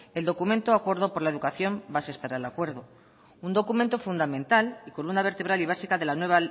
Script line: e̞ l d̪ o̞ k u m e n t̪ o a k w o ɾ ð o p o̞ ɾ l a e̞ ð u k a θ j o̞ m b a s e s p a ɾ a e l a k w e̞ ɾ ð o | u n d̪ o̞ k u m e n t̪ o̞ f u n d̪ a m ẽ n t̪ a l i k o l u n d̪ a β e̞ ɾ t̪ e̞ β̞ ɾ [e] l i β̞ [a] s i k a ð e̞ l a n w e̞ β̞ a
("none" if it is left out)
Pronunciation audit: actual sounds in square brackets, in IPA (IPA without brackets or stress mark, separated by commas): a, a